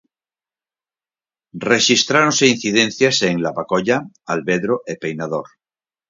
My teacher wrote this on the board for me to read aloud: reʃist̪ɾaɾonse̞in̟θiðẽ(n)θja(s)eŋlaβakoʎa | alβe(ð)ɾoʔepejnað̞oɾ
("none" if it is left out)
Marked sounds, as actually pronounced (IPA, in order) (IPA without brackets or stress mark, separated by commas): n, s, ð